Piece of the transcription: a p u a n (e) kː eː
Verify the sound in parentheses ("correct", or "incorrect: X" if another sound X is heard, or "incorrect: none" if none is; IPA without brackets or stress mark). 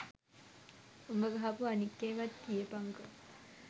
incorrect: i